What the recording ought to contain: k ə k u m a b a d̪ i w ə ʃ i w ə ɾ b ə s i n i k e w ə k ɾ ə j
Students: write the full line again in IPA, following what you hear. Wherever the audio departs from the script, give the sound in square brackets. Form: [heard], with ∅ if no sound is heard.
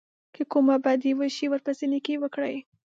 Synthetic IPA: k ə k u m a b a d̪ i w ə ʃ i w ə ɾ [p] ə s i n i k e w ə k [ɽ] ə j